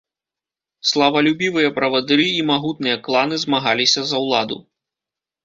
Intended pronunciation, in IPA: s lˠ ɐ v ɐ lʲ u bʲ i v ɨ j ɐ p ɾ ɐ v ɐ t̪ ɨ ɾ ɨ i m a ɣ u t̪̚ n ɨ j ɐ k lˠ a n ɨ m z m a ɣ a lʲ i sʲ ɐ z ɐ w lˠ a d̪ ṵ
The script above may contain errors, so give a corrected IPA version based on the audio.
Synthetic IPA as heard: s lˠ ɐ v ɐ lʲ u bʲ i v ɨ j ɐ p ɾ ɐ v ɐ d̪ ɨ ɾ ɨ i m a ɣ u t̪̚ n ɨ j ɐ k lˠ a n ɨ z m a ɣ a lʲ i sʲ ɐ z ɐ w lˠ a d̪ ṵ